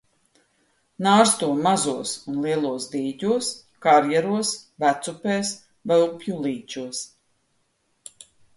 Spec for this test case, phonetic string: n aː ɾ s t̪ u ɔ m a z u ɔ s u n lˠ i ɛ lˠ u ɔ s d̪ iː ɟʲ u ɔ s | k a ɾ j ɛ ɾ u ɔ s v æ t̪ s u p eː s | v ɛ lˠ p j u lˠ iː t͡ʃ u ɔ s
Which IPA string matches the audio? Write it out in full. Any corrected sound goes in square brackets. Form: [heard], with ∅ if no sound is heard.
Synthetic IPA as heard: n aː ɾ s t̪ u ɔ m a z u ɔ s u n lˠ i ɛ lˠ u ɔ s d̪ iː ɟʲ u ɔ s | k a ɾ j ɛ ɾ u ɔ s v æ t̪ s u p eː s | v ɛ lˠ p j u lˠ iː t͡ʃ u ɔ s